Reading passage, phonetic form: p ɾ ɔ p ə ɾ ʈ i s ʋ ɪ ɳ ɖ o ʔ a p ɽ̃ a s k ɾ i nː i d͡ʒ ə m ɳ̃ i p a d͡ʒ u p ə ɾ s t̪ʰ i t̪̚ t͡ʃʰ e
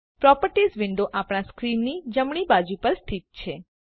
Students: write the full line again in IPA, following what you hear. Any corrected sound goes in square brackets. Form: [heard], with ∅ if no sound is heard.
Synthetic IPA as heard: p ɾ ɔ p ə ɾ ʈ i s ʋ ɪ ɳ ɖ o ʔ a p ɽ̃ a s k ɾ i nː i d͡ʒ ə m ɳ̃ i [b] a d͡ʒ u p ə ɾ s t̪ʰ i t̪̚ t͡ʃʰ e